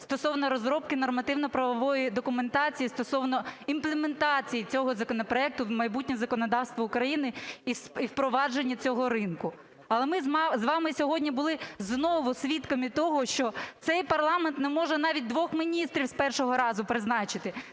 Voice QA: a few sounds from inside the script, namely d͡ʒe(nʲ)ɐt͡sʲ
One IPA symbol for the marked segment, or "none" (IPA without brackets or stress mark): nʲː